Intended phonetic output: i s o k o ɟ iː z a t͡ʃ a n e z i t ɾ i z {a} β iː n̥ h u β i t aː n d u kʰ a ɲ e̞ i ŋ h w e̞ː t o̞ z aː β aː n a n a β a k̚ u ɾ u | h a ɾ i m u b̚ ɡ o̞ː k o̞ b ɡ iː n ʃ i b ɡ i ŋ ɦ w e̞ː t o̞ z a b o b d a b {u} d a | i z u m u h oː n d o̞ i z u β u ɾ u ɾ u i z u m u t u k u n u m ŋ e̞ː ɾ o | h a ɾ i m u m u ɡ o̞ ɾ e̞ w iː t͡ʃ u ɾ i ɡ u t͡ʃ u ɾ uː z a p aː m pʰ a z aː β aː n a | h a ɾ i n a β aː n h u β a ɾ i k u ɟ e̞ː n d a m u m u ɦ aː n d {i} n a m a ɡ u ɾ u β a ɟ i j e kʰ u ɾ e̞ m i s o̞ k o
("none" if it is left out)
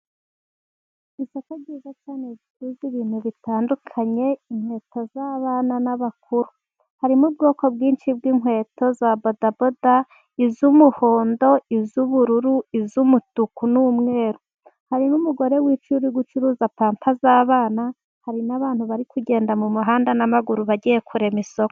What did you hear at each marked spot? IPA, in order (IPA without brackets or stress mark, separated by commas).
i, o, a